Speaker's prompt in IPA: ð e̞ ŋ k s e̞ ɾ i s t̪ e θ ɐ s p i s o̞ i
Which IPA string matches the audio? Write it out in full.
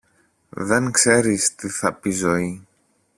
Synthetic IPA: ð e̞ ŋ k s e̞ ɾ i s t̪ i θ ɐ p i z o̞ i

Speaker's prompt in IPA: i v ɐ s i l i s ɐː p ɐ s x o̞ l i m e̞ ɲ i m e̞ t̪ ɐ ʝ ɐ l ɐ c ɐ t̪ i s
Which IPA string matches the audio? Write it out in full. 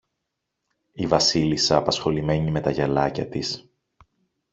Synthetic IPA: i v ɐ s i l i s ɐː p ɐ s x o̞ l i m e̞ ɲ i m e̞ t̪ ɐ ʝ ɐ l ɐ c ɐ t̪ i s

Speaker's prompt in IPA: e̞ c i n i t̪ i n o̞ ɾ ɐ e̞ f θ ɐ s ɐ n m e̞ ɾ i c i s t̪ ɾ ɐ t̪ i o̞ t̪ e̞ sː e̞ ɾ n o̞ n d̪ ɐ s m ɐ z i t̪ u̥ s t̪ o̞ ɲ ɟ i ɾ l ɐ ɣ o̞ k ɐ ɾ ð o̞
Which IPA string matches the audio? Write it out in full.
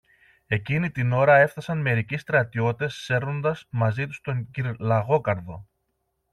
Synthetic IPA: e̞ c i n i t̪ i n o̞ ɾ ɐ e̞ f θ ɐ s ɐ n m e̞ ɾ i c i s t̪ ɾ ɐ t̪ i o̞ t̪ e̞ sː e̞ ɾ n o̞ n d̪ ɐ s m ɐ z i t̪ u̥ s t̪ o̞ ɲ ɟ i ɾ l ɐ ɣ o̞ k ɐ ɾ ð o̞

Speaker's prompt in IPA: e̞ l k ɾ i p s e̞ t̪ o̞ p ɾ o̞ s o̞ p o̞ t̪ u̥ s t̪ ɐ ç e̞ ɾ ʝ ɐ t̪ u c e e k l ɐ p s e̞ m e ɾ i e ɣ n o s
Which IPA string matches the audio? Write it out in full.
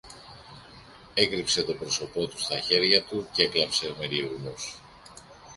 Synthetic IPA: e̞ k ɾ i p s e̞ t̪ o̞ p ɾ o̞ s o̞ p o̞ t̪ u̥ s t̪ ɐ ç e̞ ɾ ʝ ɐ t̪ u c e e k l ɐ p s e̞ m e ɾ i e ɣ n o s

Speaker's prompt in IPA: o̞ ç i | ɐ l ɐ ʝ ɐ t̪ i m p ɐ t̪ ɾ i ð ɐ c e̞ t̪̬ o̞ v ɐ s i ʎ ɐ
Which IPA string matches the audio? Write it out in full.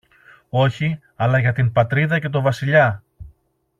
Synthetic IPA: o̞ ç i | ɐ l ɐ ʝ ɐ t̪ i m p ɐ t̪ ɾ i ð ɐ c e̞ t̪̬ o̞ v ɐ s i ʎ ɐ

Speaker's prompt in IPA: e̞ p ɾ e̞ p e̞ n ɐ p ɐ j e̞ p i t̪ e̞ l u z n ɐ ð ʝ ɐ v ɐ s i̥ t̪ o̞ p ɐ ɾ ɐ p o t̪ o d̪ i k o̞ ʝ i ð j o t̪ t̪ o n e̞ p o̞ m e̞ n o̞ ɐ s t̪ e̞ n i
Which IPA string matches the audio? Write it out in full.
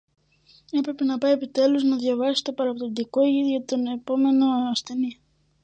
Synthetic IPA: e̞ p ɾ e̞ p e̞ n ɐ p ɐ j e̞ p i t̪ e̞ l u z n ɐ ð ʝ ɐ v ɐ s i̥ t̪ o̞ p ɐ ɾ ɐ p o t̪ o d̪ i k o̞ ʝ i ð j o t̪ t̪ o n e̞ p o̞ m e̞ n o̞ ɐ s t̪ e̞ n i

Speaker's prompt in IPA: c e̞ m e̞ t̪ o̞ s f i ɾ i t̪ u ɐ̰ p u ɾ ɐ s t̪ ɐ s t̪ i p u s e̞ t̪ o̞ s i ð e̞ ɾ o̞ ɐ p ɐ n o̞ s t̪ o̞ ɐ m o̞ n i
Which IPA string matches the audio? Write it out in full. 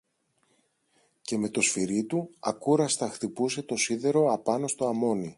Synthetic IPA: c e̞ m e̞ t̪ o̞ s f i ɾ i t̪ u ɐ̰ k u ɾ ɐ s t̪ ɐ x t̪ i p u s e̞ t̪ o̞ s i ð e̞ ɾ o̞ ɐ p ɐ n o̞ s t̪ o̞ ɐ m o̞ n i

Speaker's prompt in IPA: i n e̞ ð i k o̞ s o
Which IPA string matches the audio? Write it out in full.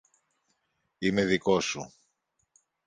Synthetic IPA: i m e̞ ð i k o̞ s u

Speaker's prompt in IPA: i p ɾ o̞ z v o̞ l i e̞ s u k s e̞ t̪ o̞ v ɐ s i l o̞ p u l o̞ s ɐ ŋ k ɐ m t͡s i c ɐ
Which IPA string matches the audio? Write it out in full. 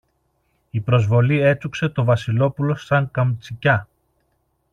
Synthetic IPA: i p ɾ o̞ z v o̞ l i e̞ t͡s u k s e̞ t̪ o̞ v ɐ s i l o̞ p u l o̞ s ɐ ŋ k ɐ m t͡s i c ɐ

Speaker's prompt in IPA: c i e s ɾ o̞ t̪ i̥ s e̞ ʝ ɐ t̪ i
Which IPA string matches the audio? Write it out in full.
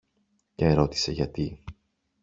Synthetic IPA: c e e ɾ o̞ t̪ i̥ s e̞ ʝ ɐ t̪ i

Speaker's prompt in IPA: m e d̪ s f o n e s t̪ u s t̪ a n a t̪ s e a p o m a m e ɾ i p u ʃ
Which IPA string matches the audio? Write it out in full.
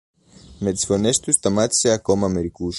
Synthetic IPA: m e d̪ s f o n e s t̪ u s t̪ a m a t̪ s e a k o m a m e ɾ i k u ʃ

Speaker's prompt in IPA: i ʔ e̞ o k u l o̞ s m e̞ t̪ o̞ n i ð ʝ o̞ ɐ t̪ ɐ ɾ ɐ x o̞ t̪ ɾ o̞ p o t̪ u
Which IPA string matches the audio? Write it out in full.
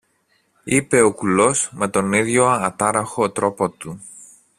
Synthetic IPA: i p e̞ o k u l o̞ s m e̞ t̪ o̞ n i ð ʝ o̞ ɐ t̪ ɐ ɾ ɐ x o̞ t̪ ɾ o̞ p o t̪ u

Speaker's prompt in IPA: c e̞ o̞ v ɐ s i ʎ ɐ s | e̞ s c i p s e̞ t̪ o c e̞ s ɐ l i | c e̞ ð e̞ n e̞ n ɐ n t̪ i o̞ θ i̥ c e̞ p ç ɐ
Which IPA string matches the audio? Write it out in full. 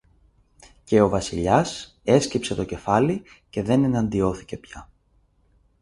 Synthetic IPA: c e̞ o̞ v ɐ s i ʎ ɐ s | e̞ s c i p s e̞ t̪ o c e̞ f ɐ l i | c e̞ ð e̞ n e̞ n ɐ n d̪ i o̞ θ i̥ c e̞ p ç ɐ

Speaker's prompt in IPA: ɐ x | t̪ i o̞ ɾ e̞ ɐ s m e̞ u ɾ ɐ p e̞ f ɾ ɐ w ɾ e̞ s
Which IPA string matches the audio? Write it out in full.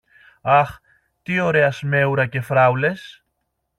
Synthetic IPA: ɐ x | t̪ i o̞ ɾ e̞ ɐ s m e̞ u ɾ ɐ c e̞ f ɾ ɐ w l e̞ s

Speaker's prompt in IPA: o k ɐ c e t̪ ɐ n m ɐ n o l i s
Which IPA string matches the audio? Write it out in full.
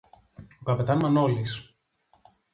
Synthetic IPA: o k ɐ p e t̪ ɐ n m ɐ n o l i s

